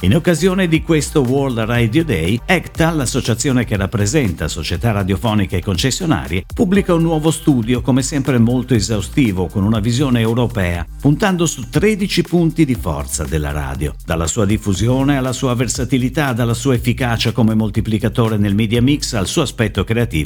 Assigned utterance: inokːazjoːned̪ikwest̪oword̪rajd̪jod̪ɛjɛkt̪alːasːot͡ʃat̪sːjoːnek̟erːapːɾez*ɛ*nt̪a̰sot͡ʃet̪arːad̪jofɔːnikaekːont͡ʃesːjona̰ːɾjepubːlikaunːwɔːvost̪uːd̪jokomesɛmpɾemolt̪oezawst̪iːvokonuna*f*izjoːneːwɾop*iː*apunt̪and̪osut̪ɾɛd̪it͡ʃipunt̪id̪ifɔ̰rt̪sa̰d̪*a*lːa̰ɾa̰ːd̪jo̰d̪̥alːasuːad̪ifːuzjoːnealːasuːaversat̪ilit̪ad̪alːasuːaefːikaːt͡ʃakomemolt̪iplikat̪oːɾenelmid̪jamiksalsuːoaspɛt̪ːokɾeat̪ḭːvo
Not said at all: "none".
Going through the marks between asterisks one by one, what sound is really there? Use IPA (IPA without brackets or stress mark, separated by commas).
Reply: ɛ, v, ɛː, e